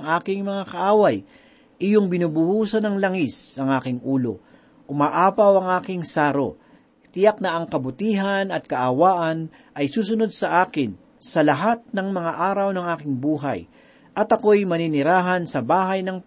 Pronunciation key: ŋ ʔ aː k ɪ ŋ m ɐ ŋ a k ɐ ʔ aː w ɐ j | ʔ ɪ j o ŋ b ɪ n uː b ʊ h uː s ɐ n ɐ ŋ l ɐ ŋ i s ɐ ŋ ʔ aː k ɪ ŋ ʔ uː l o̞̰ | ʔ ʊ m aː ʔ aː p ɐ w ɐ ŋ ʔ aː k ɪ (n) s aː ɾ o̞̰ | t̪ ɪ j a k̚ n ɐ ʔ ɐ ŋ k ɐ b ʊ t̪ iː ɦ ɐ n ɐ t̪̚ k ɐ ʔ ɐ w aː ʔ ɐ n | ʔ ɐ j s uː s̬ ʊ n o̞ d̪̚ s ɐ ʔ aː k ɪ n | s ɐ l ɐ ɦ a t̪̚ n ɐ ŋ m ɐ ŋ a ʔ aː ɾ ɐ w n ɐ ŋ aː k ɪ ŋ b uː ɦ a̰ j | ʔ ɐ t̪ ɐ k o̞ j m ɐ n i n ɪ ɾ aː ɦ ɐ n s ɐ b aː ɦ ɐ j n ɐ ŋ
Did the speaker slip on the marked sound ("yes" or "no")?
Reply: yes